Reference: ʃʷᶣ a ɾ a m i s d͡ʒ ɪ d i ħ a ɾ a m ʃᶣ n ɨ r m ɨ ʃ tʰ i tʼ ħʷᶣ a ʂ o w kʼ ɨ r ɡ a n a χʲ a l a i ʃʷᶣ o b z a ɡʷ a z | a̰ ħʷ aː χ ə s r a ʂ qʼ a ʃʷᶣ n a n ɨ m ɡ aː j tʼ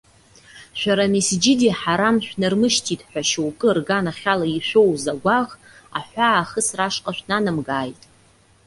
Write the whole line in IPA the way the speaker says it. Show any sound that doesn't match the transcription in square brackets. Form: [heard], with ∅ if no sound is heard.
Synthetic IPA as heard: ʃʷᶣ a ɾ a m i s d͡ʒ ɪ d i ħ a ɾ a m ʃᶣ n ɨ r m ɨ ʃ tʰ i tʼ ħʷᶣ a [ʃ] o w kʼ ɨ r ɡ a n a χʲ a l a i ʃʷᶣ o [w] z a ɡʷ a [ʁ] | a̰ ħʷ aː χ ə s r a ʂ qʼ a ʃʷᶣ n a n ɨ m ɡ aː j tʼ